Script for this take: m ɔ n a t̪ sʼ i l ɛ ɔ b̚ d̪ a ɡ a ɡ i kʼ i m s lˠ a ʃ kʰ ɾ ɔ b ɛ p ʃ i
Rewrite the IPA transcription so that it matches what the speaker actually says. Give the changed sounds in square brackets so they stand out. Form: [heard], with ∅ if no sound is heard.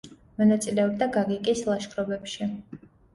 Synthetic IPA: m ɔ n a t̪ sʼ i l ɛ ɔ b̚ d̪ a ɡ a ɡ i kʼ i [∅] s lˠ a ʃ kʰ ɾ ɔ b ɛ p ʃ i